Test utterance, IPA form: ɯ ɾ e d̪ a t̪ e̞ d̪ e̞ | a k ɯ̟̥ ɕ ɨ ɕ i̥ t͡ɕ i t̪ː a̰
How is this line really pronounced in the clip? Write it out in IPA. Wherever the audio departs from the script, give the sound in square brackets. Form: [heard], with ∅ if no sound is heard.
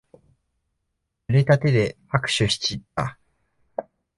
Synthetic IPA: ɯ ɾ e [t̪] a t̪ e̞ d̪ e̞ | a k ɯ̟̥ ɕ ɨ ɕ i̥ t͡ɕ i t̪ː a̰